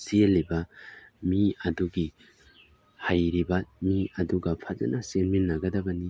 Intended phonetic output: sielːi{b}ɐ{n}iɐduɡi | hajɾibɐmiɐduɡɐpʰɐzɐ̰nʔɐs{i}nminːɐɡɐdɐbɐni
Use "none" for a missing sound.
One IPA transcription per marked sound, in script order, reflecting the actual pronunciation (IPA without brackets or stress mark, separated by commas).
b, m, e